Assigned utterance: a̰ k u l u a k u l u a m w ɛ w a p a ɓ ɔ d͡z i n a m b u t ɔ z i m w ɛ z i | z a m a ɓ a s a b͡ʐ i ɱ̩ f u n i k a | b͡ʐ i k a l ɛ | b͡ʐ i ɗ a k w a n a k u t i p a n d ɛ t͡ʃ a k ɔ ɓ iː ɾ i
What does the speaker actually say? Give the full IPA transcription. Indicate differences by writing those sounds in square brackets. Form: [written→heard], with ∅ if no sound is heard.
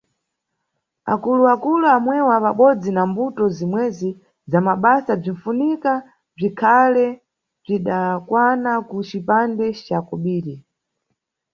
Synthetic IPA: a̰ k u l u a k u l u a m w ɛ w a p a ɓ ɔ d͡z i n a m b u t ɔ z i m w ɛ z i | z a m a ɓ a s a b͡ʐ i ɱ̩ f u n i k a | b͡ʐ i [k→kʰ] a l ɛ | b͡ʐ i ɗ a k w a n a k u [t→t͡ʃ] i p a n d ɛ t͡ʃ a k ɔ ɓ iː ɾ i